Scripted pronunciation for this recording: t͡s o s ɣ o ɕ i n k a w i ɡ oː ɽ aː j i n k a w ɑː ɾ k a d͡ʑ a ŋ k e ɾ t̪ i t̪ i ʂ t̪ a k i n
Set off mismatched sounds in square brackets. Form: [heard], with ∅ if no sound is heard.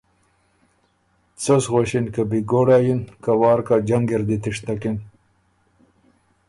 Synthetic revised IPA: t͡s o s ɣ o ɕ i n k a [b] i ɡ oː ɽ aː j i n k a w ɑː ɾ k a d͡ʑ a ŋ [ɡ] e ɾ [d̪] i t̪ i ʂ t̪ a k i n